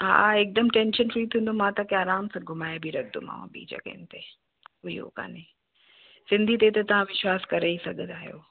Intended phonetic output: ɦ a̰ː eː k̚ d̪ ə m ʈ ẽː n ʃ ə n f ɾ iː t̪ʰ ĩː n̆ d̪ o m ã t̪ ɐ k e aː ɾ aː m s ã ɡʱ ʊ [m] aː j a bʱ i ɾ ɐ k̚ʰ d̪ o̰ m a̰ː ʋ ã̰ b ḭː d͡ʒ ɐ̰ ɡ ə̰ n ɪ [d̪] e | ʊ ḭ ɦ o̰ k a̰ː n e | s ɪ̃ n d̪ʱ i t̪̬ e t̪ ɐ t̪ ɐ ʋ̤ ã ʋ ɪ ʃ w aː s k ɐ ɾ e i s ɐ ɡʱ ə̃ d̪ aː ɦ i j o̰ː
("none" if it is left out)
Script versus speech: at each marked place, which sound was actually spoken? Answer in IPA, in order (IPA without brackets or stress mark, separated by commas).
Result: m, t̪